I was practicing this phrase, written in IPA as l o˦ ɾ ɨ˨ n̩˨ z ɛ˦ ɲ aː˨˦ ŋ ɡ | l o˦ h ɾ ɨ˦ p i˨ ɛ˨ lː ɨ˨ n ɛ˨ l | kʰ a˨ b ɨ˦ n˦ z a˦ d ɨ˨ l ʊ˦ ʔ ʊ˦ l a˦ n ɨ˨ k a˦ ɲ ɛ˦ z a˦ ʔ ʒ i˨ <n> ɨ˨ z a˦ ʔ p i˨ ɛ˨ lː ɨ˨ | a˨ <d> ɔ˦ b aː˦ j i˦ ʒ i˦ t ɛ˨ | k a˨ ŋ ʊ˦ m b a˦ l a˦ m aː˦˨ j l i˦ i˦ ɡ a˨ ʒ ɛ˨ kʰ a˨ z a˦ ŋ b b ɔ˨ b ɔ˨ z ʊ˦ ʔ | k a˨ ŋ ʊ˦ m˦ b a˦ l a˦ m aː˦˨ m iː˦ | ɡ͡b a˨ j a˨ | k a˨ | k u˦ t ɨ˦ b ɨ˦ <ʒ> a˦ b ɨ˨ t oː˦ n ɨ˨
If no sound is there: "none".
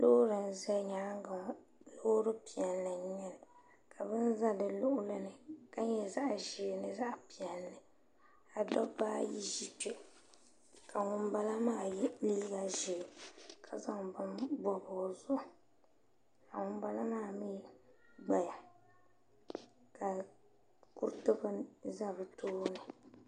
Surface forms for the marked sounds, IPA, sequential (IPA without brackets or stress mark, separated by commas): n, d, z